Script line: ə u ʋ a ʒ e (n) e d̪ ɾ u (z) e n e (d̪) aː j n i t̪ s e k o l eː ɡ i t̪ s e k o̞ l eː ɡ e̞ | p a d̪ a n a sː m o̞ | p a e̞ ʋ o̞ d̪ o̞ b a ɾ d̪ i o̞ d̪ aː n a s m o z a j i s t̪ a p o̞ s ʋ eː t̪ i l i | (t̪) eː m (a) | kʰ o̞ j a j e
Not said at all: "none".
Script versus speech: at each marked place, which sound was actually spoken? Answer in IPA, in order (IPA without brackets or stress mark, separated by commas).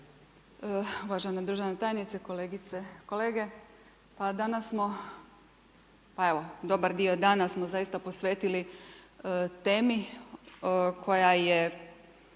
n, ʒ, t̪, t̪, i